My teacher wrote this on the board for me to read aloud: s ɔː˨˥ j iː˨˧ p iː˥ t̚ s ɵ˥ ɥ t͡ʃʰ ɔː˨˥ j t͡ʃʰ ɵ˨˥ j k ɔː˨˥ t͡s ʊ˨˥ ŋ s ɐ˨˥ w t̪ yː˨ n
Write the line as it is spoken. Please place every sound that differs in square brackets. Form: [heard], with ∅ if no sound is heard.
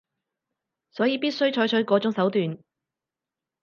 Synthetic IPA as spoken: s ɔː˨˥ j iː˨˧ p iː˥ t̚ s ɵ˥ ɥ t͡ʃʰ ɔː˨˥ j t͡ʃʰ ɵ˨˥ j k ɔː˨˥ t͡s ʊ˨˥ ŋ s ɐ˨˥ w t̪ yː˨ n